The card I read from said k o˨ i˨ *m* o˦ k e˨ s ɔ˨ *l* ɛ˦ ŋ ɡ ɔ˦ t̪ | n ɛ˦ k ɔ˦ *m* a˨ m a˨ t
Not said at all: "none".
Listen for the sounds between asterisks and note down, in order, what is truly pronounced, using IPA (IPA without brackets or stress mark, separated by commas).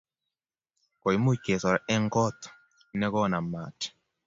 m, ɾ, n